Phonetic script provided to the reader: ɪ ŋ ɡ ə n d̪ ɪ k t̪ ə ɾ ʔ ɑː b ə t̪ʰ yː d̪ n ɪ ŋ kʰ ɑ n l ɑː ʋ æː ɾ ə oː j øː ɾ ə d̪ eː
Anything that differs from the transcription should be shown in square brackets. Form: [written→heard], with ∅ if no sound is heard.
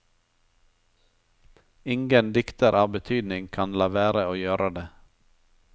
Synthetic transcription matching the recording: ɪ ŋ ɡ ə n d̪ ɪ k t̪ ə ɾ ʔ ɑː b ə t̪ʰ yː d̪ n ɪ ŋ kʰ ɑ n l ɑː ʋ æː ɾ ə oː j øː ɾ ə d̪ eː